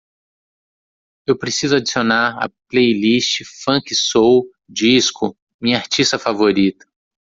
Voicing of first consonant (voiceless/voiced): voiced